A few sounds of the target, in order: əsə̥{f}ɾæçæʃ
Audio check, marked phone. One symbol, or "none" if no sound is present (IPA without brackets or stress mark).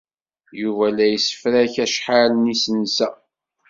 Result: f